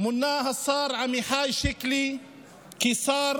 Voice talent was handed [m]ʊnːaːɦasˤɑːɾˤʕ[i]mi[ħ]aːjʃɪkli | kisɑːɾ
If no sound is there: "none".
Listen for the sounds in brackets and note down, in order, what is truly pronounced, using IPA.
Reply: m, a, ħ

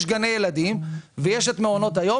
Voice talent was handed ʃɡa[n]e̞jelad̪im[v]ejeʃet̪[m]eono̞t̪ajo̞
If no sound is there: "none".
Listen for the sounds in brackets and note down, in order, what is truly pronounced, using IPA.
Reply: n, v, m

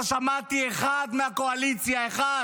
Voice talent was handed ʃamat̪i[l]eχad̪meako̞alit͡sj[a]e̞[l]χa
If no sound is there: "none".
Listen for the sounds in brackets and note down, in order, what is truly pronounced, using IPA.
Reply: none, a, none

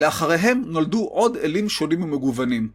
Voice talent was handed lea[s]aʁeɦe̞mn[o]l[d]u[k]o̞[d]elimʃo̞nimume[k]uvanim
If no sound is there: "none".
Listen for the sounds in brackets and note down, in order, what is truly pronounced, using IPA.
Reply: χ, o, d, ʔ, d, ɡ

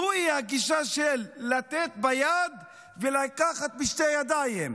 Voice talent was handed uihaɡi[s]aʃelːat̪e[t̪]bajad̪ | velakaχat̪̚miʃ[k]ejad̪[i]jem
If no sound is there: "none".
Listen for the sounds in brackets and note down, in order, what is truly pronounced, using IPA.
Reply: ʃ, t̪, t, a

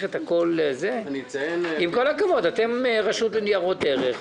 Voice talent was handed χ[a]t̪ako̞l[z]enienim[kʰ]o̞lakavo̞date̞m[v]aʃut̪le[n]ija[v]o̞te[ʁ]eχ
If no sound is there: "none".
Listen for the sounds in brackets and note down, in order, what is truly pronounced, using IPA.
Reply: e, z, k, ʁ, n, ʁ, ʁ

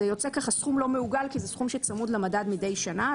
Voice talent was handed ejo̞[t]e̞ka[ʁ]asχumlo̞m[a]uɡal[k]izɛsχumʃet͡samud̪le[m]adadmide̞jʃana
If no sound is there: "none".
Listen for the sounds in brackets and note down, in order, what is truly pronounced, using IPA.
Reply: t͡s, χ, e, k, m

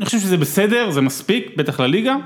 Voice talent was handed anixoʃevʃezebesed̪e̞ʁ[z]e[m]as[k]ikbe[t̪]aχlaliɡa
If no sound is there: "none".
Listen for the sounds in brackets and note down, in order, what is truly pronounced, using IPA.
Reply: z, m, p, t̪

